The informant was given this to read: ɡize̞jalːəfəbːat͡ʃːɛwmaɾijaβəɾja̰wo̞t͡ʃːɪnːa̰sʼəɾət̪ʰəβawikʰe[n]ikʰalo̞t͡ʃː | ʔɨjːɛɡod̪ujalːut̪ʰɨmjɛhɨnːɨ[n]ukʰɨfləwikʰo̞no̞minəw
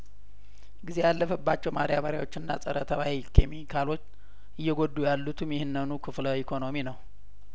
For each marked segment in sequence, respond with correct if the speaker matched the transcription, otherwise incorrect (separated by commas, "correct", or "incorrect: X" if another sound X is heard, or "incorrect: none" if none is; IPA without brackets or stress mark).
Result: incorrect: m, correct